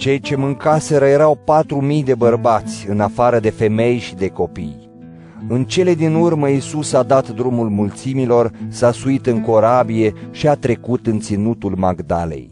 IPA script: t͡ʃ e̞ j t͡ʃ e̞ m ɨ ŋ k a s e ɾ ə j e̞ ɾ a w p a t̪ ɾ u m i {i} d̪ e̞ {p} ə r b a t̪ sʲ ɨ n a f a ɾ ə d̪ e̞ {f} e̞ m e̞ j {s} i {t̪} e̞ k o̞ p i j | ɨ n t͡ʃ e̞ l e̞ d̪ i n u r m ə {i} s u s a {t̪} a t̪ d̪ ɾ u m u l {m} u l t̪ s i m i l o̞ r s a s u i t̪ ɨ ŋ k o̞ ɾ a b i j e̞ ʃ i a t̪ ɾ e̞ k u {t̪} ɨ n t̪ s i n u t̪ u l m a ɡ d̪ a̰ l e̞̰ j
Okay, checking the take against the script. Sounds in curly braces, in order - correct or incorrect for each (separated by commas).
incorrect, incorrect, correct, incorrect, incorrect, correct, incorrect, correct, correct